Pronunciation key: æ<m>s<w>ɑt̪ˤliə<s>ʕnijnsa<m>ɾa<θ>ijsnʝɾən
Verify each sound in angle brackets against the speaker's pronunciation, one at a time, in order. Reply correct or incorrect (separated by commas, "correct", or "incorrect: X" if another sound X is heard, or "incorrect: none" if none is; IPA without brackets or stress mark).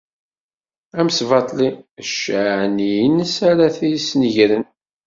correct, incorrect: v, incorrect: ʃ, incorrect: none, correct